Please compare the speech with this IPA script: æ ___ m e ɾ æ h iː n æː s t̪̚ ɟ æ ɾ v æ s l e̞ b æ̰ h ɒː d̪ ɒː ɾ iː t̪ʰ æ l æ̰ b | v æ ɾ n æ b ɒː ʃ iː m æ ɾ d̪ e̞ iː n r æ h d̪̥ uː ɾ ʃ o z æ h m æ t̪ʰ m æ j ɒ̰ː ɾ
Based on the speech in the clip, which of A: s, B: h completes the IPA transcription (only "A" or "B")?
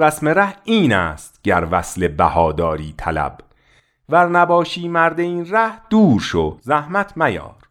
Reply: A